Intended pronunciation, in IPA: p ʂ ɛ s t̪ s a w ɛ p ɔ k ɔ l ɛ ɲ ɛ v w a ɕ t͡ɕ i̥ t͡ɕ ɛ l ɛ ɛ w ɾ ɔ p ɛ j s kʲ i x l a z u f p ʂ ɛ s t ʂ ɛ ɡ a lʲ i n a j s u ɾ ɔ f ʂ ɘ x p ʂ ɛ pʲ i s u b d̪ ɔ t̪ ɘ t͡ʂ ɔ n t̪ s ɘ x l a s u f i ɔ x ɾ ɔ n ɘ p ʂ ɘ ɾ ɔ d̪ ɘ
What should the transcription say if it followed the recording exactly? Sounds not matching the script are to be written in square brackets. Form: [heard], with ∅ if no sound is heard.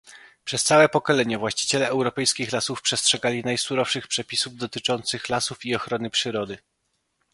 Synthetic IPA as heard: p ʂ ɛ s t̪ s a w ɛ p ɔ k ɔ l ɛ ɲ ɛ v w a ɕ t͡ɕ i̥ t͡ɕ ɛ l ɛ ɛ w ɾ ɔ p ɛ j s kʲ i x l a [s] u f p ʂ ɛ s t ʂ ɛ ɡ a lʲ i n a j s u ɾ ɔ f ʂ ɘ x p ʂ ɛ pʲ i s u [v] d̪ ɔ t̪ ɘ t͡ʂ ɔ n t̪ s ɘ x l a s u f i ɔ x ɾ ɔ n ɘ p ʂ ɘ ɾ ɔ d̪ ɘ